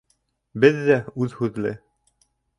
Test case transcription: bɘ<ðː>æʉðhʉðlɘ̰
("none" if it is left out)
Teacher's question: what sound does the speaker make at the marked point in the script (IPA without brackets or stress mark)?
ðː